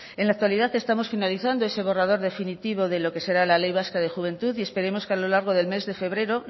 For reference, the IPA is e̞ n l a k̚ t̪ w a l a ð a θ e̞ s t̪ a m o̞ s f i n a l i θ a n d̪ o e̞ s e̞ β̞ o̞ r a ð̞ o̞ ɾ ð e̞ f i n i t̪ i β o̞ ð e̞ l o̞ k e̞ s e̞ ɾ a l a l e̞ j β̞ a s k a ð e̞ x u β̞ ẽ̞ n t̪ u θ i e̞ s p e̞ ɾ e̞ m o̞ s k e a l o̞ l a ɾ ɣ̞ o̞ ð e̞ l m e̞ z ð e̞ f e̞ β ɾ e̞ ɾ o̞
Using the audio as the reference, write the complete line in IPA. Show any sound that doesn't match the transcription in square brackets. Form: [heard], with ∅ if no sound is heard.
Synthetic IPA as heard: e̞ n l a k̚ t̪ w a l [i] ð a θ e̞ s t̪ a m o̞ s f i n a l i θ a n d̪ o e̞ s e̞ β̞ o̞ r a ð̞ o̞ ɾ ð e̞ f i n i t̪ i β o̞ ð e̞ l o̞ k e̞ s e̞ ɾ a l a l e̞ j β̞ a s k a ð e̞ x u β̞ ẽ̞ n t̪ u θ i e̞ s p e̞ ɾ e̞ m o̞ s k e a l o̞ l a ɾ ɣ̞ o̞ ð e̞ l m e̞ z ð e̞ f e̞ β ɾ e̞ ɾ o̞